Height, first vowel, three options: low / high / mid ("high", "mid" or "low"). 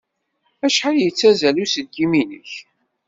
low